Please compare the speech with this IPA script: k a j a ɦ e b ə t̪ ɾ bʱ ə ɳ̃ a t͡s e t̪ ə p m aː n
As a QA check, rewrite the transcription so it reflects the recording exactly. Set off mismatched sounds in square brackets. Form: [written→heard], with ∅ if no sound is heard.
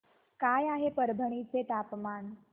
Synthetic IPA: k a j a ɦ e [b→p] ə [t̪→∅] ɾ bʱ ə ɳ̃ [a→i] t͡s e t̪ [ə→a] p m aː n